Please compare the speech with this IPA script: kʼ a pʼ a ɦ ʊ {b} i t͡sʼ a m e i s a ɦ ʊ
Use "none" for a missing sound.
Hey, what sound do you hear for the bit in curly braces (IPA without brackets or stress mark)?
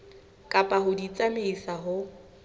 d